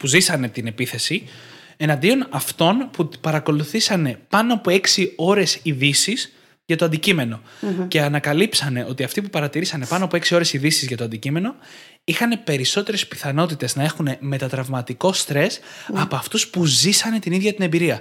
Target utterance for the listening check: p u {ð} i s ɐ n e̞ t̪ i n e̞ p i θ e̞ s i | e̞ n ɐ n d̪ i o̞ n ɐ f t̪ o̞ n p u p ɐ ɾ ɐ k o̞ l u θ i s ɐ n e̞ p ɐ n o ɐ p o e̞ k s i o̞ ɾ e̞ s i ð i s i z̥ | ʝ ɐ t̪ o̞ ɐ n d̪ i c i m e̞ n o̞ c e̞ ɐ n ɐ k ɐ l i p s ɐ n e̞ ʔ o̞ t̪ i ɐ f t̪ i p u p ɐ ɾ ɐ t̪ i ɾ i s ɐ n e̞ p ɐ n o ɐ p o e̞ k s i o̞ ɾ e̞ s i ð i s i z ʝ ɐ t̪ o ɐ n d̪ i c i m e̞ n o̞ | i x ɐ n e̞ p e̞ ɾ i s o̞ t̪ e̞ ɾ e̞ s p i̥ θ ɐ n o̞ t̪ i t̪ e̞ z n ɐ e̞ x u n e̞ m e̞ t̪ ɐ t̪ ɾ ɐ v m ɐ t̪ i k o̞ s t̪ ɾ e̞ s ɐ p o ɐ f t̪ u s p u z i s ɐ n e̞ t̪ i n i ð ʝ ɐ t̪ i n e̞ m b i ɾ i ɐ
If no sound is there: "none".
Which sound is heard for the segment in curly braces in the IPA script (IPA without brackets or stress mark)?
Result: z